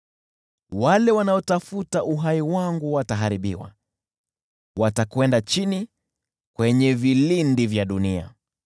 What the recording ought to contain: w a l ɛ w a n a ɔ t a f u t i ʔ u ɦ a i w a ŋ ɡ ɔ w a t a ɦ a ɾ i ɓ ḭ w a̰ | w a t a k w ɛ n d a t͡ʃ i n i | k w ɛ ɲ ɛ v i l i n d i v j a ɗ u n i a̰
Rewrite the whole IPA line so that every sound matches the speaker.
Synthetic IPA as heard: w a l ɛ w a n a ɔ t a f u t a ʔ u ɦ a i w a ŋ ɡ u w a t a ɦ a ɾ i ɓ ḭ w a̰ | w a t a k w ɛ n d a t͡ʃ i n i | k w ɛ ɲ ɛ v i l i n d i v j a ɗ u n i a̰